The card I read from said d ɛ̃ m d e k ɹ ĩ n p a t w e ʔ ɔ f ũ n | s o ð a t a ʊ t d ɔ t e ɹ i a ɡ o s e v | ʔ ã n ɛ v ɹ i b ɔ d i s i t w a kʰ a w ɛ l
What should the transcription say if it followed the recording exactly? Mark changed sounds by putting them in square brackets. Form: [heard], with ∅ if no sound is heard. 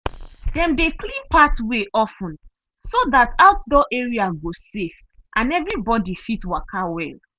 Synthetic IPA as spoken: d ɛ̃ m d e k [l] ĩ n p a t w e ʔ ɔ f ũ n | s o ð a t a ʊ t d ɔ [ʔ] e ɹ i a ɡ o s e [f] | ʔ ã n ɛ v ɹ i b ɔ d i [f] i t w a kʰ a w ɛ l